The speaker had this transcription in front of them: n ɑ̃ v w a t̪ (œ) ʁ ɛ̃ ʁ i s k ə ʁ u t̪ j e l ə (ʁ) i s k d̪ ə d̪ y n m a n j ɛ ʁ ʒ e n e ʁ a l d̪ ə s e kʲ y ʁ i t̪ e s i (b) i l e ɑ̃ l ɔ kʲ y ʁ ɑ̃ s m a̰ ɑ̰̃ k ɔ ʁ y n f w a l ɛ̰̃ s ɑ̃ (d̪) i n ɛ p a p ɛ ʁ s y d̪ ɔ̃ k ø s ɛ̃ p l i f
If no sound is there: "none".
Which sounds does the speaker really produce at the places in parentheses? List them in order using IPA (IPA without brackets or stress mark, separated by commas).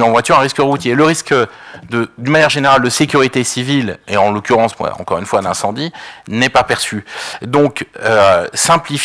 y, ʁ, v, d̪